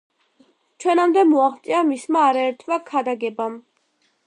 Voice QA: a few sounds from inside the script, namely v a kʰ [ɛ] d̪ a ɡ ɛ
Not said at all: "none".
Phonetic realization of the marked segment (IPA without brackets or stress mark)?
a